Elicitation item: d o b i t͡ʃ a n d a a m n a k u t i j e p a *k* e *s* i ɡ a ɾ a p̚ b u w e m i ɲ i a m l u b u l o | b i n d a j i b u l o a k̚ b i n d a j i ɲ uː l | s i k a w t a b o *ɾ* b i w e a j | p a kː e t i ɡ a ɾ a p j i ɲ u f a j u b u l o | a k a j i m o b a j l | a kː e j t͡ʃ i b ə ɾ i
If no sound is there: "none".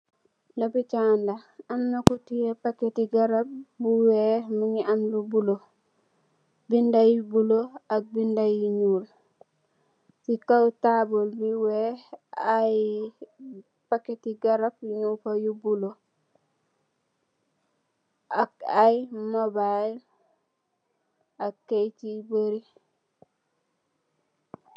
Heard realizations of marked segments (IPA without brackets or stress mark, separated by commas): k, t, l